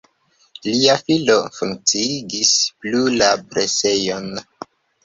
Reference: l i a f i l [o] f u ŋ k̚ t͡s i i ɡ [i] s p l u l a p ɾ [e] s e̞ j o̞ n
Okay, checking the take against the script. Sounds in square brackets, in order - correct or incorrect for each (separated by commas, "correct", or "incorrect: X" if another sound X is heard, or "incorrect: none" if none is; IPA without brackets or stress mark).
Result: correct, correct, correct